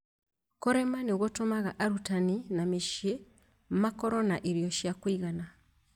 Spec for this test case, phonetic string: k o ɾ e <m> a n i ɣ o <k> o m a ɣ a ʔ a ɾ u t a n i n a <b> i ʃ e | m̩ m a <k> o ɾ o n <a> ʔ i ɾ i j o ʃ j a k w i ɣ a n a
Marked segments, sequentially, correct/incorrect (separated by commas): correct, incorrect, incorrect, correct, correct